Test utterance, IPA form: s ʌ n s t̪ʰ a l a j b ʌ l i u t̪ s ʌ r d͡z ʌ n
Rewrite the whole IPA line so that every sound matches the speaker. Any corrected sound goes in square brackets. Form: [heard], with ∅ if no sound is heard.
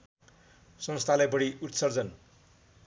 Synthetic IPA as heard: s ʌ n s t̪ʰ a l a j b ʌ [ɽ] i u t̪ s ʌ r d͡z ʌ n